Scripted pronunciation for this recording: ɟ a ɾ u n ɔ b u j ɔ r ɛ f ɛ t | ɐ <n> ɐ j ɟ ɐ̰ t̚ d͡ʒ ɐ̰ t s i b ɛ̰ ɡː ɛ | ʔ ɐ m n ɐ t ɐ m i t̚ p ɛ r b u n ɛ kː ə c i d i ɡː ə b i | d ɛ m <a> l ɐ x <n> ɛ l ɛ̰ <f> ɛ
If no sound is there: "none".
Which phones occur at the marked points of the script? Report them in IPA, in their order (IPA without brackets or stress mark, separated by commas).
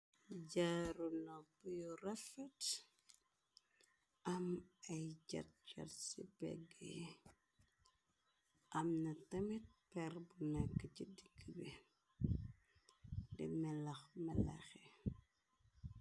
m, ɛ, m, x